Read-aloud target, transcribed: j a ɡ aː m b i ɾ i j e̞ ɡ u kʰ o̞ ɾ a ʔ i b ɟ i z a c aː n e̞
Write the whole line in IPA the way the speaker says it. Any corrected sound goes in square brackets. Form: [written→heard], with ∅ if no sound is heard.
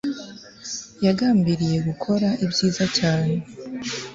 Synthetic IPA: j a ɡ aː m b i ɾ i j e̞ ɡ u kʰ o̞ ɾ a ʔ i b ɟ [i→iː] z a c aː n e̞